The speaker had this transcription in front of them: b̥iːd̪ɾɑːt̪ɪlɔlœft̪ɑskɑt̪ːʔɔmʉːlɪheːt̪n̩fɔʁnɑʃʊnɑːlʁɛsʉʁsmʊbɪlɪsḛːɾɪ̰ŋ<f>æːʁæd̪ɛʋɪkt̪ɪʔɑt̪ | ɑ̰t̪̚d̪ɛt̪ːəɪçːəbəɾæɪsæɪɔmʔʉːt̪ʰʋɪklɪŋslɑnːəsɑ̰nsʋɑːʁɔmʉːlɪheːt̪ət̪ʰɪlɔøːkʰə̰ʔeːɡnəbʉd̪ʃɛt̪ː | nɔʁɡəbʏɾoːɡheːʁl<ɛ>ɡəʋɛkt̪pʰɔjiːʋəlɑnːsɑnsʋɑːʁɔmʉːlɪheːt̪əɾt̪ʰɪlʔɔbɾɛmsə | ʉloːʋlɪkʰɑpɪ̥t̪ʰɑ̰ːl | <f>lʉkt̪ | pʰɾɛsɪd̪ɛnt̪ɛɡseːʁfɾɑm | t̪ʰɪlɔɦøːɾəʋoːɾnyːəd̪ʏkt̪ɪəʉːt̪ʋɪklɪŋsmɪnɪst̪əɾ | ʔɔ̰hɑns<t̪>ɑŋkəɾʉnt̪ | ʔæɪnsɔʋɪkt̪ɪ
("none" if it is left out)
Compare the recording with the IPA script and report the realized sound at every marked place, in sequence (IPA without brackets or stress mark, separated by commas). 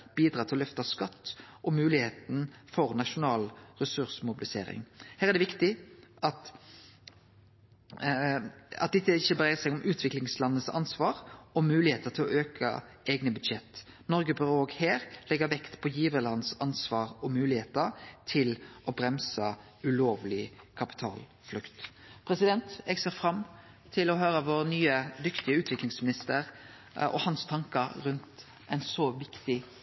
h, ɛ, f, t̪ʰ